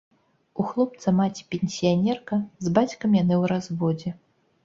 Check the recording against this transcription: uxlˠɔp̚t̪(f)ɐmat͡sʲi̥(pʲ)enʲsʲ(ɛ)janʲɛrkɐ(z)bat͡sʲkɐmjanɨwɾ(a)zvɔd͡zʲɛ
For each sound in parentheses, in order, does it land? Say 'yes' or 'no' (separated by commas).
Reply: no, yes, no, yes, yes